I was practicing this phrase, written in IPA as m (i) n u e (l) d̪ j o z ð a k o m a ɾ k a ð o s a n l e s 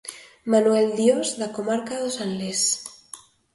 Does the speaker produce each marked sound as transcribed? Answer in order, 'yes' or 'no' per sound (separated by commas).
no, yes